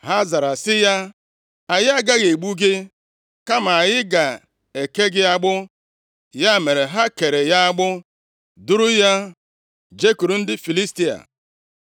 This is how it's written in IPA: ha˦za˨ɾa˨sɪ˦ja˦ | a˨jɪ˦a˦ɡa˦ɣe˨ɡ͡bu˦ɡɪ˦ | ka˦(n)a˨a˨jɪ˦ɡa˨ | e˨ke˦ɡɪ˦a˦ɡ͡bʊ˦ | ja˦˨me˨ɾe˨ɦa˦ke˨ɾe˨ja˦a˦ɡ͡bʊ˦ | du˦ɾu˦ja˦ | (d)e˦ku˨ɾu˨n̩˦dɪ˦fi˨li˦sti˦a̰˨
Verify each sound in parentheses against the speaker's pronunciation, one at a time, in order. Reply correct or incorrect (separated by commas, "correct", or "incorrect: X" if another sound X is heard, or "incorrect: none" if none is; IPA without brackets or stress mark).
incorrect: m, incorrect: d͡ʒ